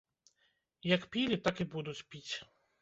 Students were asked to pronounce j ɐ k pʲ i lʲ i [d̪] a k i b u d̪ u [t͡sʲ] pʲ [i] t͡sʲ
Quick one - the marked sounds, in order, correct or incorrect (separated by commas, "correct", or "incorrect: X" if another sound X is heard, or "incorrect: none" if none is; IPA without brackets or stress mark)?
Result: incorrect: t̪, correct, correct